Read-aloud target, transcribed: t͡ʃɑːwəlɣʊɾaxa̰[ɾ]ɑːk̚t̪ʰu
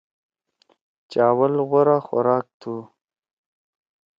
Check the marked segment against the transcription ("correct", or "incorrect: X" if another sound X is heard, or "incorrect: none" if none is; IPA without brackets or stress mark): correct